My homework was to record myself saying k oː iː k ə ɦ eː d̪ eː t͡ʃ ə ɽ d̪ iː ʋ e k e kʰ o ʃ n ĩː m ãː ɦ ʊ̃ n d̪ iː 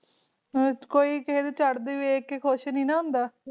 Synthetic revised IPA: k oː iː k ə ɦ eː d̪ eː t͡ʃ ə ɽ d̪ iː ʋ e k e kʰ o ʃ n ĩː n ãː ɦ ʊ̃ n d̪ aː